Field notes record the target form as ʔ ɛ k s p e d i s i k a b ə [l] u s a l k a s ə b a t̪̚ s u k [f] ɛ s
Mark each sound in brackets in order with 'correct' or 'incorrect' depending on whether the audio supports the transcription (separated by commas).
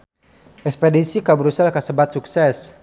incorrect, incorrect